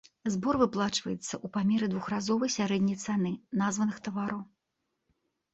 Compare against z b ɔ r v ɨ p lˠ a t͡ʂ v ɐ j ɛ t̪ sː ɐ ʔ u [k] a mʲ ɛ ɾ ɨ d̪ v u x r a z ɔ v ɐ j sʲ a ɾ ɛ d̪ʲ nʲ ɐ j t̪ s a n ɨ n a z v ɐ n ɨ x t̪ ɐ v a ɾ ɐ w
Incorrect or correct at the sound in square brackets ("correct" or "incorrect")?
incorrect